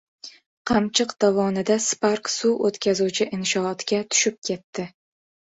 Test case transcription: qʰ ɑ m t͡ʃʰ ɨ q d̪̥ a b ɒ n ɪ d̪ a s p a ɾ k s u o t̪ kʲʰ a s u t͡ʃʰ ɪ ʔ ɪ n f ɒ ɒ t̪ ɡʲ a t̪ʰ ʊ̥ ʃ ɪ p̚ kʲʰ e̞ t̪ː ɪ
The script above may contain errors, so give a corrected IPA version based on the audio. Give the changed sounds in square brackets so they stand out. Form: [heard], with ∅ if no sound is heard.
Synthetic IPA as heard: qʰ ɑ m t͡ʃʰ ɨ q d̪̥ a [v] ɒ n ɪ d̪ a s p a ɾ k s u o t̪ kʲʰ a [z] u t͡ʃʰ ɪ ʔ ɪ n [ʃ] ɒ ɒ t̪ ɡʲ a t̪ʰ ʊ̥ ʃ ɪ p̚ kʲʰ e̞ t̪ː ɪ